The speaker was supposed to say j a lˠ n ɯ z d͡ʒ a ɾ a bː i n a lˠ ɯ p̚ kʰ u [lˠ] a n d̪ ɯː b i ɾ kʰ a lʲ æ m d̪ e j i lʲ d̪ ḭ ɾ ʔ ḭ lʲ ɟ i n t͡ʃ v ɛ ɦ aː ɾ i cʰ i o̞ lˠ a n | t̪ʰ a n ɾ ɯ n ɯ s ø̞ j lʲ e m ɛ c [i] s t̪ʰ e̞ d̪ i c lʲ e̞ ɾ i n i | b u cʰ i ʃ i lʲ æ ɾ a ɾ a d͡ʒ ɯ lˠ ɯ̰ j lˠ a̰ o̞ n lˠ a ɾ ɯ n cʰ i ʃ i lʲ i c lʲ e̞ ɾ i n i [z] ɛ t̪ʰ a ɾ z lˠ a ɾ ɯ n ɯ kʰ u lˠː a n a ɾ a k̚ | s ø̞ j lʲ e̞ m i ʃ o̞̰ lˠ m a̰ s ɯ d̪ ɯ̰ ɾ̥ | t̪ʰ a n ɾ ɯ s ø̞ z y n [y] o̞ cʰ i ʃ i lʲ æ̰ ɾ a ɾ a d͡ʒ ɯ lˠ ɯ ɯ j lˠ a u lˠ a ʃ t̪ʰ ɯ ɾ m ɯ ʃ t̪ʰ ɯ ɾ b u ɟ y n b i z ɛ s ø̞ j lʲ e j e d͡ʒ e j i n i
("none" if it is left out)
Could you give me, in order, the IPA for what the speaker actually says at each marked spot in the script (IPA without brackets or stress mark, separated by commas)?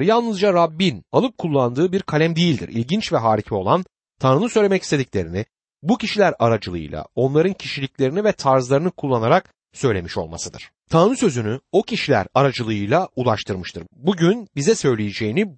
lˠː, i, v, y